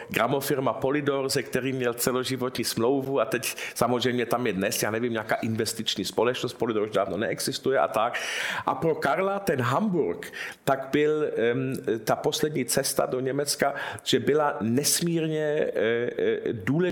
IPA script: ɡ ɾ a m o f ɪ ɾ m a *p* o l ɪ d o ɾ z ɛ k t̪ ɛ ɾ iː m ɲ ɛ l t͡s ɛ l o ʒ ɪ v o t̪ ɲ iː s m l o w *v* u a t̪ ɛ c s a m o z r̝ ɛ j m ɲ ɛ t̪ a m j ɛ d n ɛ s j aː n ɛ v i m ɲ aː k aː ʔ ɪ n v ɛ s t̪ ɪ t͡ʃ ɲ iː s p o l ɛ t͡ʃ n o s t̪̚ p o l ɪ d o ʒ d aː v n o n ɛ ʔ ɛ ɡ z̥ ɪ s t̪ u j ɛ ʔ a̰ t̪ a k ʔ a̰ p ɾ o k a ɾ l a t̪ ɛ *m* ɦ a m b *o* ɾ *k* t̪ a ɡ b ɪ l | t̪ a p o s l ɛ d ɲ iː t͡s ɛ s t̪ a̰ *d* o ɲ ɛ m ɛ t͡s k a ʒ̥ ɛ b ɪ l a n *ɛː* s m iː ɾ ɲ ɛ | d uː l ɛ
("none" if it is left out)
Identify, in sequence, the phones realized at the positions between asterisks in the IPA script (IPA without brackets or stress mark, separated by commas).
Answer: p, v, n, u, k, d, ɛ